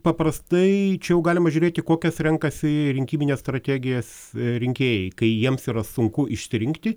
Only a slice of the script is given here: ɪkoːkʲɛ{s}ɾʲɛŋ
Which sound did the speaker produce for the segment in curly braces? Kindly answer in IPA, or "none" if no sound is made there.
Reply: s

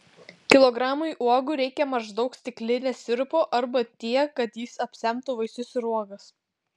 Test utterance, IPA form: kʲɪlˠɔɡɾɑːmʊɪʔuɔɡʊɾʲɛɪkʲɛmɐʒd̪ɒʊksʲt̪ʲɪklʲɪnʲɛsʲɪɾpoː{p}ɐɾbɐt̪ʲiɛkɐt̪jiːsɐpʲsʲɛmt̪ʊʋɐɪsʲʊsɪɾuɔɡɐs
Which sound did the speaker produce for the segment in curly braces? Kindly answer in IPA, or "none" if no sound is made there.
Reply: ʔ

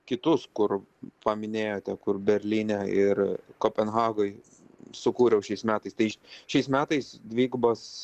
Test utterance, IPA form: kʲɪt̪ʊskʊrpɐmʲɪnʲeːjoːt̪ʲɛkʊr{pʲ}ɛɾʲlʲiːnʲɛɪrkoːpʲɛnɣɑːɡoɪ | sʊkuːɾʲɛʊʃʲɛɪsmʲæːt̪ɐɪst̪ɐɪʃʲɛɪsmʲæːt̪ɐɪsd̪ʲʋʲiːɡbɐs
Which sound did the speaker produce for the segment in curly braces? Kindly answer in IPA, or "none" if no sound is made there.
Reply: bʲ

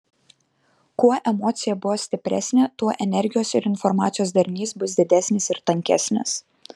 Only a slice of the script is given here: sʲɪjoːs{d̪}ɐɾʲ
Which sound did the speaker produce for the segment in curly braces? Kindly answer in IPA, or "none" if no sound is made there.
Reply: d̪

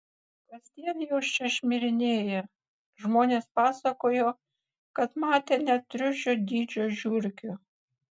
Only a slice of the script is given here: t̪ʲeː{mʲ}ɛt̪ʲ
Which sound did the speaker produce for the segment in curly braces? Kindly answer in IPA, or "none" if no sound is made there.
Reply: nʲ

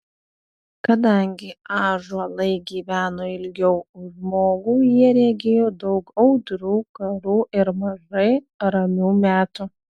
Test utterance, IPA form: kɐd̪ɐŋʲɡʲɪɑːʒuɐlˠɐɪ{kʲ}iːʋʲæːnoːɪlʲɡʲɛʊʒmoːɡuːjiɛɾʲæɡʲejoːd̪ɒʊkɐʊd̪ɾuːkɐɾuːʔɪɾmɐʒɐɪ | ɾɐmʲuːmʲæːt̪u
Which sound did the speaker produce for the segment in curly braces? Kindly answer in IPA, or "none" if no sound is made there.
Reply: ɡʲ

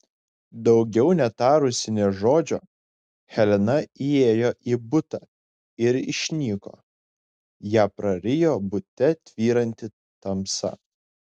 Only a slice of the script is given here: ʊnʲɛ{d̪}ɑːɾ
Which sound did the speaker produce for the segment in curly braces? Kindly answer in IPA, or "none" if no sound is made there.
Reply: t̪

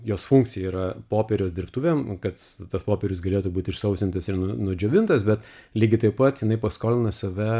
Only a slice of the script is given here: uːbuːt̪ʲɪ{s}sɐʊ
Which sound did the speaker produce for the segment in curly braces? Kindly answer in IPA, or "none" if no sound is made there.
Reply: ʃ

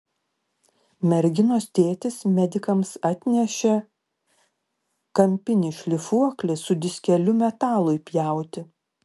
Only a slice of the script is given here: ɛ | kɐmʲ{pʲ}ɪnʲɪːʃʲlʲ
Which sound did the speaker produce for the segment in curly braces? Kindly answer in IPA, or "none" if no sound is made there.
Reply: pʲ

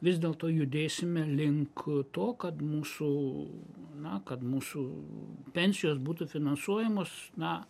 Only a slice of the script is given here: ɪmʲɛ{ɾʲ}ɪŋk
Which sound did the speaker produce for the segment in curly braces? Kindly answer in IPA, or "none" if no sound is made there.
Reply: lʲ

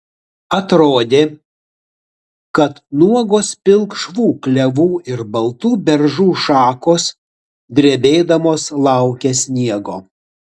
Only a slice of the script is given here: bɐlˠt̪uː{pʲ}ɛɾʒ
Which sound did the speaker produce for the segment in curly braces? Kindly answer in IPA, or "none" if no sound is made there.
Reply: bʲ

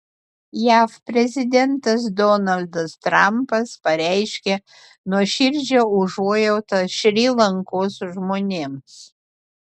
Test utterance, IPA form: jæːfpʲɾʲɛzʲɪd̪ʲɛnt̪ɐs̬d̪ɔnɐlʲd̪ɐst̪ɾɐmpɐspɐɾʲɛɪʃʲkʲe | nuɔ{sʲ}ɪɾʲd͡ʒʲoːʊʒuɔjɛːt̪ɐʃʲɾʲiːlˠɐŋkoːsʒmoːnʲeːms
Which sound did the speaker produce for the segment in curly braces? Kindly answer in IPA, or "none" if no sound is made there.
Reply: ʃʲ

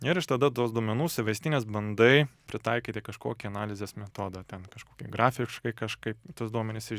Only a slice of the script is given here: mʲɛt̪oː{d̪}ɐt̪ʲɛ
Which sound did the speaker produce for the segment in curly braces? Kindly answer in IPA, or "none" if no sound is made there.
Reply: d̪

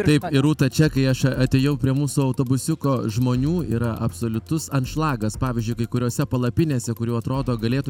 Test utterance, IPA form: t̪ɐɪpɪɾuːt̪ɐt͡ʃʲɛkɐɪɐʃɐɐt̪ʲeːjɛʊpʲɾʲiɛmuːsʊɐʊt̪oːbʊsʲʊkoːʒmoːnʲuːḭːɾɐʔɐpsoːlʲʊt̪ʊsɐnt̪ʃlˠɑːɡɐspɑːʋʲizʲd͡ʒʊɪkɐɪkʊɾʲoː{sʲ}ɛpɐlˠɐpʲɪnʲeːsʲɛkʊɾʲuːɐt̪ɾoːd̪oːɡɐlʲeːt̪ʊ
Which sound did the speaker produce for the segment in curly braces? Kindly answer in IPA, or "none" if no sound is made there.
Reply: sʲ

